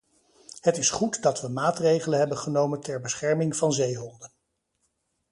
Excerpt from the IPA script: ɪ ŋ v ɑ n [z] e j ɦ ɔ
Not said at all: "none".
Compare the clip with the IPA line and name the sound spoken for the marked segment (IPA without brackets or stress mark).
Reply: z